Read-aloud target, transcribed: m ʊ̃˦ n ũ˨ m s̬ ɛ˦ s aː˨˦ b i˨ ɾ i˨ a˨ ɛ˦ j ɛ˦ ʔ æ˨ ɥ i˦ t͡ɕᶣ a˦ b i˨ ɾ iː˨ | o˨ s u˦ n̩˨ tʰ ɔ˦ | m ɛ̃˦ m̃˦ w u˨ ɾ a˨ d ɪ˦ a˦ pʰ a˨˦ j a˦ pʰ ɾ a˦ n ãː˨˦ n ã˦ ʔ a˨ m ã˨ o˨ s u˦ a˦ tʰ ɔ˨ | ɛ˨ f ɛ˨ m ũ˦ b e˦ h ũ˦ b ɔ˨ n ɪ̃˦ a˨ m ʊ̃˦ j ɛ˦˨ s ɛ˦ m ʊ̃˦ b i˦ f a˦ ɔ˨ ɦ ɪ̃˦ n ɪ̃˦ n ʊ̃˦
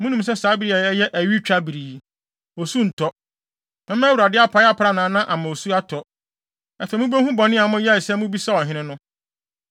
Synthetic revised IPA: m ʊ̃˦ n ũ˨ m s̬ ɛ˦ s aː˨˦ b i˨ ɾ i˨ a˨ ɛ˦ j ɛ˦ ʔ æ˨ ɥ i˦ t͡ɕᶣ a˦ b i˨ ɾ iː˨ | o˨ s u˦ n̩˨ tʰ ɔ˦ | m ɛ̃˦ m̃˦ w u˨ ɾ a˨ d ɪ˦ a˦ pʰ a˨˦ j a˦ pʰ ɾ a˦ n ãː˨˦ n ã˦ ʔ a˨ m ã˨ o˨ s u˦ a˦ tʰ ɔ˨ | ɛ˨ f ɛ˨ m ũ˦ b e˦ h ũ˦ b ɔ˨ n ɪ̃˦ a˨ m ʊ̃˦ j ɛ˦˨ s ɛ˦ m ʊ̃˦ b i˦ s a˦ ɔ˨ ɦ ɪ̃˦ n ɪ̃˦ n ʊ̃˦